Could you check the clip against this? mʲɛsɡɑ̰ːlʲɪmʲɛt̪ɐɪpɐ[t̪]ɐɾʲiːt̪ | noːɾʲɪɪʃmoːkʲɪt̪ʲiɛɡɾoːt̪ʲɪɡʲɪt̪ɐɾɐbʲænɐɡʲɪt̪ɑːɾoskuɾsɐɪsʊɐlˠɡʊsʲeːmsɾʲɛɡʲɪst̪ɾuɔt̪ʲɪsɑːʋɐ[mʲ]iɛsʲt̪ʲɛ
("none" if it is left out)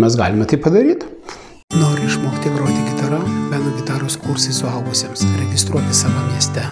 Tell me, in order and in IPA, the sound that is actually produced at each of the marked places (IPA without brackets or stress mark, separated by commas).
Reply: d̪, mʲ